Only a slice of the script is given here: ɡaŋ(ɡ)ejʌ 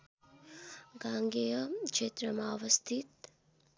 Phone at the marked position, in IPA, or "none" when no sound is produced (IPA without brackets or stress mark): ɡ